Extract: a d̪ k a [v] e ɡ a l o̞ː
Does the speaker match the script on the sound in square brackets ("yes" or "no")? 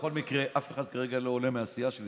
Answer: no